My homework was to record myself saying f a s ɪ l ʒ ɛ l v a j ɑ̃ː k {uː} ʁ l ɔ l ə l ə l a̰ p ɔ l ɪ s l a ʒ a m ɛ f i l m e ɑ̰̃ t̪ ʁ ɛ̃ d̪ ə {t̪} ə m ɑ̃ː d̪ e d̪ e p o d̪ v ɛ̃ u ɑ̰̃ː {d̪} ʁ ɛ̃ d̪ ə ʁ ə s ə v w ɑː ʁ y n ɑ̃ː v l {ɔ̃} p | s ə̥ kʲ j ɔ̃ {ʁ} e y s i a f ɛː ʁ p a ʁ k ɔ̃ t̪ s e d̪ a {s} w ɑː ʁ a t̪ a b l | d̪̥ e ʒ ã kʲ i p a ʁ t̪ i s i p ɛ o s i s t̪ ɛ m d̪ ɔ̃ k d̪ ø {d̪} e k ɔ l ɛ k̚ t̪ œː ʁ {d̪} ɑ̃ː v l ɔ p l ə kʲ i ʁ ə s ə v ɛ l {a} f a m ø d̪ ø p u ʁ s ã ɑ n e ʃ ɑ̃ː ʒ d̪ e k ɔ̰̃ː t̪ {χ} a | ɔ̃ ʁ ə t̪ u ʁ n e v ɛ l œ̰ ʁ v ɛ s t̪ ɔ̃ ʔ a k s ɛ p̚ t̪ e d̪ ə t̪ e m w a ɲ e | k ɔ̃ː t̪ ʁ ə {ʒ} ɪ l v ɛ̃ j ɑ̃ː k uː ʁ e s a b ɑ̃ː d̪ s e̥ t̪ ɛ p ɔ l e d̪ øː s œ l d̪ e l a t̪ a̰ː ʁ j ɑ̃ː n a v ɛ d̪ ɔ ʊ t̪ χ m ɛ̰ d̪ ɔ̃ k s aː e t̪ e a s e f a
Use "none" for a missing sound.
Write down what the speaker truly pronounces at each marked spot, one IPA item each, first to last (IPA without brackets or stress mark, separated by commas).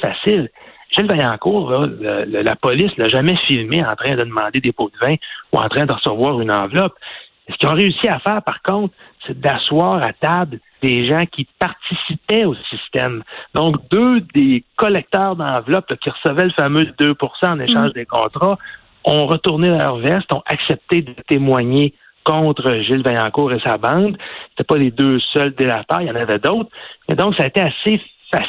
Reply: uː, d̪, t̪, ɔ, ʁ, s, d̪, d̪, ə, ʁ, ʒ